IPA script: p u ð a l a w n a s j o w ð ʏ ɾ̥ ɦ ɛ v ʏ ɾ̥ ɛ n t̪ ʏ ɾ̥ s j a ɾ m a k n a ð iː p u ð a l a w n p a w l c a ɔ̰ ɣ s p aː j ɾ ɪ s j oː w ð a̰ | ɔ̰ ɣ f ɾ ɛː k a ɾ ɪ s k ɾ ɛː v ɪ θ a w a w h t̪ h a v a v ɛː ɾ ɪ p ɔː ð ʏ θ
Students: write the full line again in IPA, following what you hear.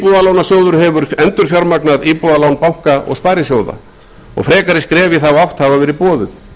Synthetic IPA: p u ð a l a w n a s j o w ð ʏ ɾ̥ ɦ ɛ v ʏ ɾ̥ ɛ n t̪ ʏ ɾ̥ f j a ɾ m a k n a ð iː p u ð a l a w n p a w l k a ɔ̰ ɣ s p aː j ɾ ɪ s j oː w ð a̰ | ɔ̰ ɣ f ɾ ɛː k a ɾ ɪ s k ɾ ɛː v ɪ θ a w a w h t̪ h a v a v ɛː ɾ ɪ p ɔː ð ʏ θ